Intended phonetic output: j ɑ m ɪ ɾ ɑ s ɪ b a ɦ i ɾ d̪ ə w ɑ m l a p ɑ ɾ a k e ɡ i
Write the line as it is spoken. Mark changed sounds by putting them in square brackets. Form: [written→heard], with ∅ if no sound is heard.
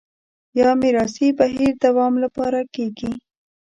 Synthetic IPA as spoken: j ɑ m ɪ ɾ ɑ s [ɪ→i] b a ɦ i ɾ d̪ [ə→a] w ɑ m l a p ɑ ɾ a k e ɡ i